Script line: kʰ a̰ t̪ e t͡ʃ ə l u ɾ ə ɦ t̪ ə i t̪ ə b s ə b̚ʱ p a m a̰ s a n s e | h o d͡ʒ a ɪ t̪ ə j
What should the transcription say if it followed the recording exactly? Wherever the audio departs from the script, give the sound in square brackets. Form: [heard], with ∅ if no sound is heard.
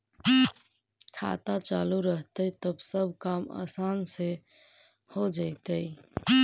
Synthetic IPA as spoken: kʰ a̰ t̪ [a] t͡ʃ [a] l u ɾ ə ɦ t̪ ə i t̪ ə b s ə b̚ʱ [k] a m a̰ s a n s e | h o d͡ʒ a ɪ t̪ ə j